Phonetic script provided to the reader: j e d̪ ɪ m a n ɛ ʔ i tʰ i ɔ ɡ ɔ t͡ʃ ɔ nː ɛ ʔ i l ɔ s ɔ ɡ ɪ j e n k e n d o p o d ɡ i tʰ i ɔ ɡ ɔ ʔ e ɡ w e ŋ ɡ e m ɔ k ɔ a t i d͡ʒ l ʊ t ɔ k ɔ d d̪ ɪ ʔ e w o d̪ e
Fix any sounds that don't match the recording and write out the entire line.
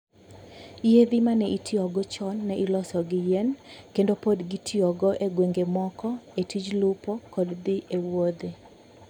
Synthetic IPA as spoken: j e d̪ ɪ m a n ɛ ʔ i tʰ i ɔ ɡ ɔ t͡ʃ ɔ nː ɛ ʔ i l ɔ s ɔ ɡ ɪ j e n k e n d o p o d ɡ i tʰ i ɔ ɡ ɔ ʔ e ɡ w e ŋ ɡ e m ɔ k ɔ e t i d͡ʒ l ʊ p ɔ k ɔ d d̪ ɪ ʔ e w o d̪ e